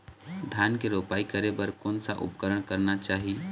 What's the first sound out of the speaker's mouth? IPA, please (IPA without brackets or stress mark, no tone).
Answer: d̪ʱ